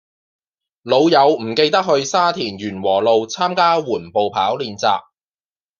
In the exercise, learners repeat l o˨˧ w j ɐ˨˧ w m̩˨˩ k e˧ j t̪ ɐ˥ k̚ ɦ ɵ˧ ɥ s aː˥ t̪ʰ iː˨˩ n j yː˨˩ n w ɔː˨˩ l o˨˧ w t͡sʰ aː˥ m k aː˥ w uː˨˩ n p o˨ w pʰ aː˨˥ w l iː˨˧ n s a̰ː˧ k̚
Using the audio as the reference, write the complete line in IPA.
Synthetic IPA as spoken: l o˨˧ w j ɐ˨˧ w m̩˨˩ k e˧ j t̪ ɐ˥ k̚ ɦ ɵ˧ ɥ s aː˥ t̪ʰ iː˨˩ n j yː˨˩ n w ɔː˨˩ l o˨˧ w t͡sʰ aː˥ m k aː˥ w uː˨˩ n p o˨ w pʰ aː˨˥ w l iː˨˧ n t͡s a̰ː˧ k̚